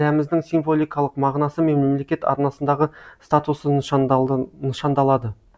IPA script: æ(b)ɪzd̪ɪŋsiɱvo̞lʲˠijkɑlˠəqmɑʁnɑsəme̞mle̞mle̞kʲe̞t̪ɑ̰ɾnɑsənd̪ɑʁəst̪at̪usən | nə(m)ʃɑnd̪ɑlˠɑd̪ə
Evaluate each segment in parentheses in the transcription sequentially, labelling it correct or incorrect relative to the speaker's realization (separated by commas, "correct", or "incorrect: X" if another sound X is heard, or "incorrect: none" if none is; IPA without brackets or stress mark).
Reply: incorrect: m, incorrect: none